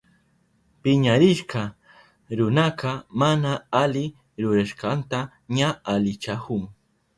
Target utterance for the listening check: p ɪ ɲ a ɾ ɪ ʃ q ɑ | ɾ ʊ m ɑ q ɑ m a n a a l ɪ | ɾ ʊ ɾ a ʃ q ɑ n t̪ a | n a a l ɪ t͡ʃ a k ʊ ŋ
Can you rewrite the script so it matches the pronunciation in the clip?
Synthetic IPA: p ɪ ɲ a ɾ ɪ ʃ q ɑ | ɾ ʊ n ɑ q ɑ m a n a a l ɪ | ɾ ʊ ɾ a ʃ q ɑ n t̪ a | ɲ a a l ɪ t͡ʃ a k ʊ ŋ